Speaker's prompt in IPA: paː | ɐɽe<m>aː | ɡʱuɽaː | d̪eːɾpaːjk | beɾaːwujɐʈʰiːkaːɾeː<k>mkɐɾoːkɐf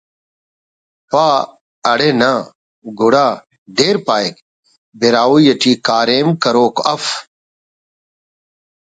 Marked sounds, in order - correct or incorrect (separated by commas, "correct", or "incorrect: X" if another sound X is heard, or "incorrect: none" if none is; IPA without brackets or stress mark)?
incorrect: n, incorrect: none